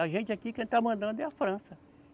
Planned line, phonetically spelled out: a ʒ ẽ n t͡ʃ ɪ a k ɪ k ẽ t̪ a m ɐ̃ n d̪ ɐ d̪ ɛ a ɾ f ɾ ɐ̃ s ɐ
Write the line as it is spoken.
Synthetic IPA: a ʒ ẽ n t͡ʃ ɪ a k i k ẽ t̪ a m ɐ̃ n d̪ ɐ̃ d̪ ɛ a f ɾ ɐ̃ s ɐ